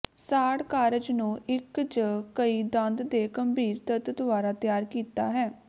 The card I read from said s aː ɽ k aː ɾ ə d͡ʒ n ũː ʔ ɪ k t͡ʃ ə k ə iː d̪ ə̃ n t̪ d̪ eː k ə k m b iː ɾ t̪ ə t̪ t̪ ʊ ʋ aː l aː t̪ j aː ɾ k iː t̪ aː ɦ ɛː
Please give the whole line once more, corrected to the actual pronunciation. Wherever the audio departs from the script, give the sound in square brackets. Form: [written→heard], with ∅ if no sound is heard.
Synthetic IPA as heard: s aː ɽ k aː ɾ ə d͡ʒ n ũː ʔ ɪ k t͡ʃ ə k ə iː d̪ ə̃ n [t̪→d̪] d̪ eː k ə [k→∅] m b iː ɾ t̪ ə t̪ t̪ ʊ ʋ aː [l→ɾ] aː t̪ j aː ɾ k iː t̪ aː ɦ ɛː